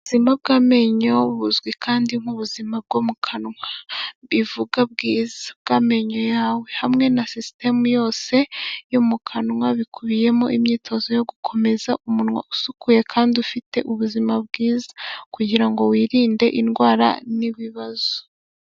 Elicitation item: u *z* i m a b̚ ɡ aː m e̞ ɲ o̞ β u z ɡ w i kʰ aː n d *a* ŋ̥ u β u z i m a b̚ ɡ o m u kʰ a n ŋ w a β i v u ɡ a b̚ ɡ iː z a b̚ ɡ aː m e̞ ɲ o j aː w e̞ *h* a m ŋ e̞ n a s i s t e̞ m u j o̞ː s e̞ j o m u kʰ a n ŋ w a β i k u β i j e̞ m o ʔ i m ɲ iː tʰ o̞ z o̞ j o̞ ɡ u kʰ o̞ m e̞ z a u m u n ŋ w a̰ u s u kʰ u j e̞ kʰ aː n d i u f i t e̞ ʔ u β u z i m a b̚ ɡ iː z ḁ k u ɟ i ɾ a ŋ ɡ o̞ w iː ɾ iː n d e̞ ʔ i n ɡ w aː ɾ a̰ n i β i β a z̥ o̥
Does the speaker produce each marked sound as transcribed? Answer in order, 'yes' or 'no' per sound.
yes, no, yes

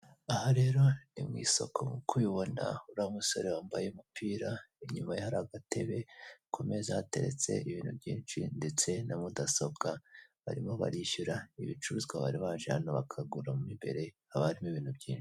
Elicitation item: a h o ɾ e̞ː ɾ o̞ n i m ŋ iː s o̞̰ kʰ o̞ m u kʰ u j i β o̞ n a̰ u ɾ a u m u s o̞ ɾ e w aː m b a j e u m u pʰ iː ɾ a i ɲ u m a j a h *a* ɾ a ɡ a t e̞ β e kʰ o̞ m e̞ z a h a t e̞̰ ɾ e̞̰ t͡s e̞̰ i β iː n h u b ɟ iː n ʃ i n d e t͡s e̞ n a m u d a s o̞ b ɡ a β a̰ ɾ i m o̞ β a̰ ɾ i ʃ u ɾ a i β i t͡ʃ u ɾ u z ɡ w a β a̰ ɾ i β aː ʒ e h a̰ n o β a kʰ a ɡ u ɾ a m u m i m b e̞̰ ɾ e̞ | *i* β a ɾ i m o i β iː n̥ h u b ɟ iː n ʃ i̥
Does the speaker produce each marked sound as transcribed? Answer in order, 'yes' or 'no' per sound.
yes, no

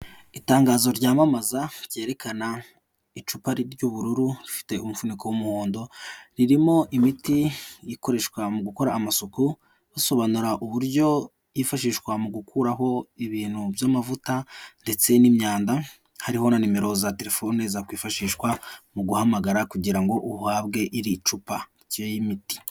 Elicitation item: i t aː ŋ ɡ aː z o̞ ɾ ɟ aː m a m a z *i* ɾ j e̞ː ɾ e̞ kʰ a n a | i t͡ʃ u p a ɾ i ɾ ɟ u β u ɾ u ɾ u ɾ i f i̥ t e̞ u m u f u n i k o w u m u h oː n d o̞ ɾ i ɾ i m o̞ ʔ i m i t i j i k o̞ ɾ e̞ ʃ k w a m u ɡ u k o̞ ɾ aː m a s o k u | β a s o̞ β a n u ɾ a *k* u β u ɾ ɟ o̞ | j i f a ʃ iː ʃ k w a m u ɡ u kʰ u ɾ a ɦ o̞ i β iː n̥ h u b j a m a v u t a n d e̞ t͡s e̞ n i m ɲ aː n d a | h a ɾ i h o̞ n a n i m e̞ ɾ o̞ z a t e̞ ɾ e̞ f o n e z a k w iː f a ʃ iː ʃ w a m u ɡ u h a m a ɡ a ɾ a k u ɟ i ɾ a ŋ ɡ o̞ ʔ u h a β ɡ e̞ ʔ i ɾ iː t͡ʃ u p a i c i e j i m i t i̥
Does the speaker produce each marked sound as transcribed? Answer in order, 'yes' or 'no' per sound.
no, no

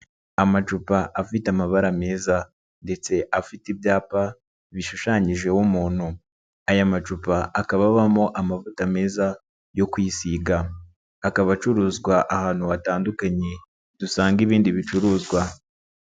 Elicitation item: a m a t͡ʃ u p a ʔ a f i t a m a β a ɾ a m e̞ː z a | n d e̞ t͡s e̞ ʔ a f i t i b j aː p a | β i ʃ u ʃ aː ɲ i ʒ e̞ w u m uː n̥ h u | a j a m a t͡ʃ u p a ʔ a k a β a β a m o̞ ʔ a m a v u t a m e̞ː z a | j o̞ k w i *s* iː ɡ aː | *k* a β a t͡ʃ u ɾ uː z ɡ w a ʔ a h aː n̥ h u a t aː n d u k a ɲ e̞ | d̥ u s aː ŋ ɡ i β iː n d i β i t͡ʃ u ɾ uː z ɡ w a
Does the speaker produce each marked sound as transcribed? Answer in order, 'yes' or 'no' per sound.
yes, yes

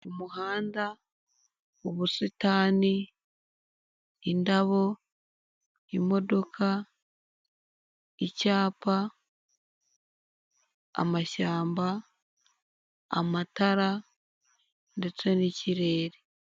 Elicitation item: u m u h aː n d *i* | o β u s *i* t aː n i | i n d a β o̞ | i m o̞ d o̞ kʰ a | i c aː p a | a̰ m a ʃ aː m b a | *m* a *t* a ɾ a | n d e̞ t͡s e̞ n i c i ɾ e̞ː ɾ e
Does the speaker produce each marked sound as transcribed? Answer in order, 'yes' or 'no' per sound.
no, yes, yes, yes

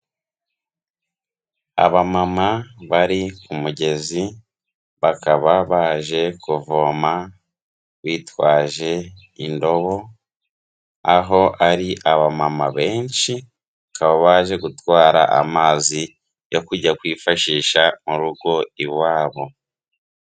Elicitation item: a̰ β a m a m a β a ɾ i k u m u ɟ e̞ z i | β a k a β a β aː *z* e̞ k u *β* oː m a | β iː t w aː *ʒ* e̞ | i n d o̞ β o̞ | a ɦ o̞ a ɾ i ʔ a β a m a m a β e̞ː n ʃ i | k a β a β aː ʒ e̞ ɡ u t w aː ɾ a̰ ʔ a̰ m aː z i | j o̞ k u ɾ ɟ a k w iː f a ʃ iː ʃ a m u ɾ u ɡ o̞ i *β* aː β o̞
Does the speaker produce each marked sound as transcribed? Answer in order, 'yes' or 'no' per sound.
no, no, yes, no

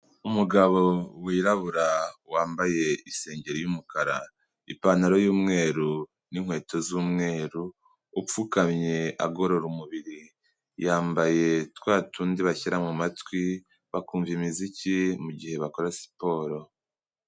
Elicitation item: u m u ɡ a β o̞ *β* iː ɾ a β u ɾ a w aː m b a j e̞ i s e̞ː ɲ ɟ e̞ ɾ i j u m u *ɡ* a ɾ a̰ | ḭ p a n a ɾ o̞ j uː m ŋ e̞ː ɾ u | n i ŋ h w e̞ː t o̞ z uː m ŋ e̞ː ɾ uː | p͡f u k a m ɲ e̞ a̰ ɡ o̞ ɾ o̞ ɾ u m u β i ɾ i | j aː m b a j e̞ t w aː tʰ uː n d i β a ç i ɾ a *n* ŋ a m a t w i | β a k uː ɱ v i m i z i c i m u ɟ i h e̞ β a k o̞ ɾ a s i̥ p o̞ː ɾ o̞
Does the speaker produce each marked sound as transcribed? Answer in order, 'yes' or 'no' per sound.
no, no, no

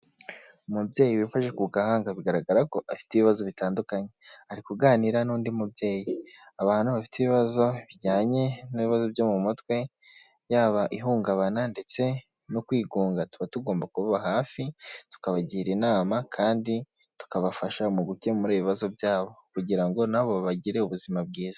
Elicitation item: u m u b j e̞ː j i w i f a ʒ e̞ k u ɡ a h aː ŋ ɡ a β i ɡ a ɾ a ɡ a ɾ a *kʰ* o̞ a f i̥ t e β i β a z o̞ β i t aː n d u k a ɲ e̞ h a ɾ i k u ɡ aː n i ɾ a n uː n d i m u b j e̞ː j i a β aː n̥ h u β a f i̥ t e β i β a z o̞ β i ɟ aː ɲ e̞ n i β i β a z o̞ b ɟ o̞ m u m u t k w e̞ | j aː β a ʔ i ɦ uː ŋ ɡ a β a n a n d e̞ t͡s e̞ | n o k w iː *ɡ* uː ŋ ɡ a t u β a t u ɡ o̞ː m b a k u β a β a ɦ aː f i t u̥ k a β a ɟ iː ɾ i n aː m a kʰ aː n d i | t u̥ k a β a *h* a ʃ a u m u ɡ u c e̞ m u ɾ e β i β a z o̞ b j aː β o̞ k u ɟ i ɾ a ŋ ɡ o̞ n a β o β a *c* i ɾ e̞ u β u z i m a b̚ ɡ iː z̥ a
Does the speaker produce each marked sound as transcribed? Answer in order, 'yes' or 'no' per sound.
no, yes, no, no

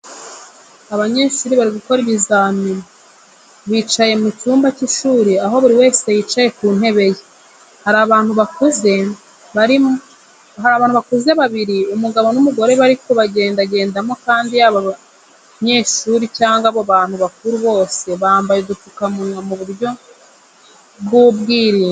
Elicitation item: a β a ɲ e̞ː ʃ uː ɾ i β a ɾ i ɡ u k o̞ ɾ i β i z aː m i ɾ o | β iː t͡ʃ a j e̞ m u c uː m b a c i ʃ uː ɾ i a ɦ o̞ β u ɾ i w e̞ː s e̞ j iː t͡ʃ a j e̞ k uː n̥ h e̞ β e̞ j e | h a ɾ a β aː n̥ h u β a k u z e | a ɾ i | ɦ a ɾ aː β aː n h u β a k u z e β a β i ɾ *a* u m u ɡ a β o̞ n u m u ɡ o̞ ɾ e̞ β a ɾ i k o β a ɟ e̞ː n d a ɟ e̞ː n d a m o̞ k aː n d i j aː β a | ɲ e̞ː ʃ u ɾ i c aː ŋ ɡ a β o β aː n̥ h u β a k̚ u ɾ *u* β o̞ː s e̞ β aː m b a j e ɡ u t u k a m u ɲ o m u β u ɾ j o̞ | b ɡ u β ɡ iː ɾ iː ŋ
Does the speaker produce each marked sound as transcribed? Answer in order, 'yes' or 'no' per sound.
no, yes

